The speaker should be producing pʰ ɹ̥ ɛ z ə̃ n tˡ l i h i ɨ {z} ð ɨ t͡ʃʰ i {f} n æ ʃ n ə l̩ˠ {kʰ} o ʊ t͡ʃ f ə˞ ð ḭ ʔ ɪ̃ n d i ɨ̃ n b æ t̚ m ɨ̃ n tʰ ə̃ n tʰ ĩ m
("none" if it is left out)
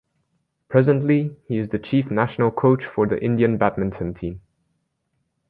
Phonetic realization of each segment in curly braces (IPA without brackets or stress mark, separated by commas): z, f, kʰ